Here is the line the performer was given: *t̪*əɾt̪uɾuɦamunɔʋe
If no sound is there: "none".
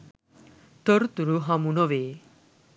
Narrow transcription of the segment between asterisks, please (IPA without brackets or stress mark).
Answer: t̪